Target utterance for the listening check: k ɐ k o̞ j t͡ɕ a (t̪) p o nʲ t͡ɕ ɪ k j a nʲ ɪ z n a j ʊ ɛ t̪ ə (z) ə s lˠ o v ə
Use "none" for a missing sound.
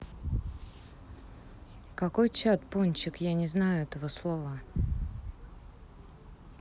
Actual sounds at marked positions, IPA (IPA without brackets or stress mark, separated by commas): t̪, v